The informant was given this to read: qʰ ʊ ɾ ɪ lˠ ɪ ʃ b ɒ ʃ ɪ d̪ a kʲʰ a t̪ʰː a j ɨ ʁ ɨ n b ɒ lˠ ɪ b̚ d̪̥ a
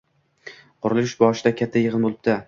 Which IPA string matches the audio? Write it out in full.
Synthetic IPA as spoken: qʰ ʊ ɾ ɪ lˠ ɪ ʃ b ɒ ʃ ɪ d̪ a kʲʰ a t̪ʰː a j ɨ ʁ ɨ n b o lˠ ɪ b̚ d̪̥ a